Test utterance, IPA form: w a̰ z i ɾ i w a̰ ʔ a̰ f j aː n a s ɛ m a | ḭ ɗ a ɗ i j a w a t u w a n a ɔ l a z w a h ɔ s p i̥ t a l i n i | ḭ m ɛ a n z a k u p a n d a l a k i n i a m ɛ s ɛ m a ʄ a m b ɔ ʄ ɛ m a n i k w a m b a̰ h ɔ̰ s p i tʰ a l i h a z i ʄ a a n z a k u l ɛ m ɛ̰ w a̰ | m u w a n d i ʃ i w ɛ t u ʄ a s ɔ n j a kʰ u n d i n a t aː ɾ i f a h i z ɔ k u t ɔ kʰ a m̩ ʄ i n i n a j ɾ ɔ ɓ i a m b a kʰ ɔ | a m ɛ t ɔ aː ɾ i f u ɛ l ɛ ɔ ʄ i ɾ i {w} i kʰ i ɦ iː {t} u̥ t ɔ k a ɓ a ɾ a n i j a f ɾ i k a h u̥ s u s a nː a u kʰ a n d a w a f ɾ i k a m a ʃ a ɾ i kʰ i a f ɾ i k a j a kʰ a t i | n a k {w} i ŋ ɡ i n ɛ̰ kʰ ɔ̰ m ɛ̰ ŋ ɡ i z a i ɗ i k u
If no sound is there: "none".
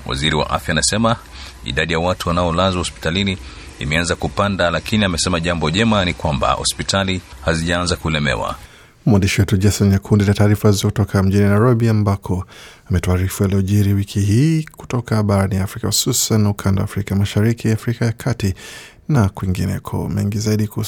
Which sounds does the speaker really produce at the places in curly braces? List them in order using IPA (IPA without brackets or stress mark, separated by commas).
w, k, w